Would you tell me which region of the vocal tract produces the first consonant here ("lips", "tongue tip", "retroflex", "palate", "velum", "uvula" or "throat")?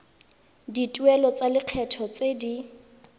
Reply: tongue tip